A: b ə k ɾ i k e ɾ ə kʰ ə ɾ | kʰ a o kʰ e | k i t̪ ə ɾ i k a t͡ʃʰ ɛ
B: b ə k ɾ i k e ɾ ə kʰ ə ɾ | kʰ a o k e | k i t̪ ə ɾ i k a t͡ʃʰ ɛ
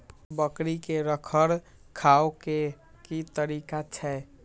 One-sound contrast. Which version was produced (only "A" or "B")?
B